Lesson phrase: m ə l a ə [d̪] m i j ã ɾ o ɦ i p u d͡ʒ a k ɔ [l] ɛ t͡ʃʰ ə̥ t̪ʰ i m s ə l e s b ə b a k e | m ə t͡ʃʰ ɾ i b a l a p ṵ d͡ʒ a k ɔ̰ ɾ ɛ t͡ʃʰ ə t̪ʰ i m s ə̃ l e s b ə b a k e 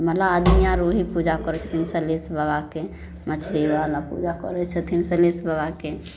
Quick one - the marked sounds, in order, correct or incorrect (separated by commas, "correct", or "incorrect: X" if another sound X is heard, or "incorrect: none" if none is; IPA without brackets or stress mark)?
correct, incorrect: ɾ